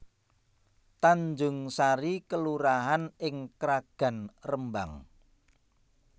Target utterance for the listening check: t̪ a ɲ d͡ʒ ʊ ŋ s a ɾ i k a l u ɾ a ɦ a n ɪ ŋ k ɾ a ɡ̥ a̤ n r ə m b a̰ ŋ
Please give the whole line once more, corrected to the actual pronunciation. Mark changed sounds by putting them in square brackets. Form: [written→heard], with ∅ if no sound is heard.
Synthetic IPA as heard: t̪ a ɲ d͡ʒ ʊ ŋ s a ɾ i k [a→ə] l u ɾ a ɦ a n ɪ ŋ k ɾ a ɡ̥ a̤ n r ə m b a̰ ŋ

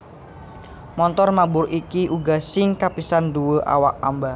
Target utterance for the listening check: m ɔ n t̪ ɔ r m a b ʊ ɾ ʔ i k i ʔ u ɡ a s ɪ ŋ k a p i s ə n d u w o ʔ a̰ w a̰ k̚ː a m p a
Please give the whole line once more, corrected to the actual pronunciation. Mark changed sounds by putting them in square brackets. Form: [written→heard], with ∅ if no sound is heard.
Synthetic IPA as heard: m ɔ n t̪ ɔ r m a b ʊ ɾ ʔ i k i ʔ u ɡ a s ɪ ŋ k a p i s [ə→a] n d u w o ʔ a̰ w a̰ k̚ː a m [p→b] a

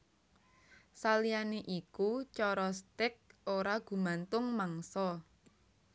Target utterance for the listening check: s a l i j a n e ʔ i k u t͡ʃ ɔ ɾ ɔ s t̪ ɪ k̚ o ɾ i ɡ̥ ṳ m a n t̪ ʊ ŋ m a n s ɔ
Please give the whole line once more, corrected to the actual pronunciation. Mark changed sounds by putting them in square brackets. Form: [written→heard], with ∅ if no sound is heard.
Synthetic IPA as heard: s a l i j a n e ʔ i k u t͡ʃ ɔ ɾ ɔ s t̪ ɪ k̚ o ɾ [i→a] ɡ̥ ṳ m a n t̪ ʊ ŋ m a [n→ŋ] s ɔ

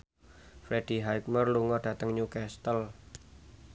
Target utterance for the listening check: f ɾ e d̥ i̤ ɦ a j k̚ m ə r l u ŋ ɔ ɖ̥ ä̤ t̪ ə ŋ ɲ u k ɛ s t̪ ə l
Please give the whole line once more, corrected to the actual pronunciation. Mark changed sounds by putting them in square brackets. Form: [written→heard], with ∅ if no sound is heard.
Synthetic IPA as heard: f ɾ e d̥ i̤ ɦ a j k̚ m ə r l u ŋ ɔ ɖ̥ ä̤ t̪ ə ŋ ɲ u k ɛ s t̪ ə l

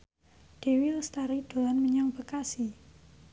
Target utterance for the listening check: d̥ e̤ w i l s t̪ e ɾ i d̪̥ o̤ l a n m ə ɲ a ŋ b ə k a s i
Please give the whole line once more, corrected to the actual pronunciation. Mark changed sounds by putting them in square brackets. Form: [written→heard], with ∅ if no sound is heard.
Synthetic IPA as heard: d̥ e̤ w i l s t̪ [e→a] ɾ i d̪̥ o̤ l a n m ə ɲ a ŋ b ə k a s i

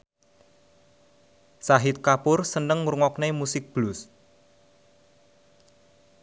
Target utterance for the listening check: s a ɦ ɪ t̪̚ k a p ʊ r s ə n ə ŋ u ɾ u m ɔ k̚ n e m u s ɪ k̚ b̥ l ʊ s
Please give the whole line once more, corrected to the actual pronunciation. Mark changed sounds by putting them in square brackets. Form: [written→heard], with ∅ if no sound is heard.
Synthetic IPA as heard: s a ɦ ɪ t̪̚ k a p ʊ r s ə n ə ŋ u ɾ u [m→ŋ] ɔ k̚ n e m u s ɪ k̚ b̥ l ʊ s

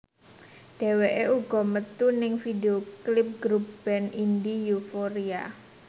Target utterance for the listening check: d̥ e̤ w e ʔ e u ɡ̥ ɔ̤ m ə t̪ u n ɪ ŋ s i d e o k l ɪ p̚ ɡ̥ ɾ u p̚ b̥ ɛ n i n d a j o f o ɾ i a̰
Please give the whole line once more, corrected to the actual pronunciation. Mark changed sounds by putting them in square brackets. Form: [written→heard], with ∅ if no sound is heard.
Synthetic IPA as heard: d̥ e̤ w e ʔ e u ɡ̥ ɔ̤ m ə t̪ u n ɪ ŋ [s→f] i d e o k l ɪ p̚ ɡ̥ ɾ u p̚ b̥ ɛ n i n d [a→i] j [o→u] f o ɾ i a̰

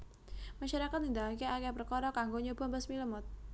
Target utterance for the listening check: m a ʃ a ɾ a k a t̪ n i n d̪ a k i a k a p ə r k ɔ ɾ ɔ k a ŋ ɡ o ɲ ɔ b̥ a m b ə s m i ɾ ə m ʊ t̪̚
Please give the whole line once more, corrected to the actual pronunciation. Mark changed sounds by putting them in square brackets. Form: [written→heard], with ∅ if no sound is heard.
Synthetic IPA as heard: m a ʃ a ɾ a k a t̪ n i n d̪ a k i a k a p ə r k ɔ ɾ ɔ k a ŋ ɡ o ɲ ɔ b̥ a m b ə s m i [ɾ→l] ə m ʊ t̪̚

